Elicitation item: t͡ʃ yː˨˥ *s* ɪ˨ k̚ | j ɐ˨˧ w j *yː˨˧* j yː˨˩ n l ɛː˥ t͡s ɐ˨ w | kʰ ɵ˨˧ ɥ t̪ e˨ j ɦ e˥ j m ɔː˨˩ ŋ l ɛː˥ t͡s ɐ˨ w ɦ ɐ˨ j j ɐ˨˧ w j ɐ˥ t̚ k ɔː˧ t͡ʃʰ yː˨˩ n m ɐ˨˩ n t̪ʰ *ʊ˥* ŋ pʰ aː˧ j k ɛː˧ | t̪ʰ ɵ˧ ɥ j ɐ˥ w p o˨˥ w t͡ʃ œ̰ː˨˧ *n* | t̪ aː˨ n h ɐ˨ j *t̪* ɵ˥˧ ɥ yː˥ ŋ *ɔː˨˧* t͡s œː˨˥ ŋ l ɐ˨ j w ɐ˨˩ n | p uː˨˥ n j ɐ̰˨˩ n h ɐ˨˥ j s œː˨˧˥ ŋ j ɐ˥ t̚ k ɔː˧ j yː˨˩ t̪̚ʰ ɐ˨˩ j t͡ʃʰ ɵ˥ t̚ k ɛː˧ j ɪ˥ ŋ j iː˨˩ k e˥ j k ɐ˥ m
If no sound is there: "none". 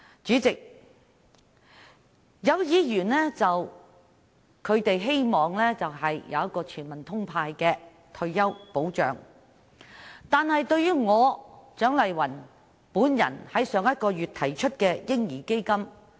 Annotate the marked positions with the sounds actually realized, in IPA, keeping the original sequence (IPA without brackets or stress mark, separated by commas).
t͡s, iː˨˧, ʊ˥, ŋ, t̪, ɔː˨˧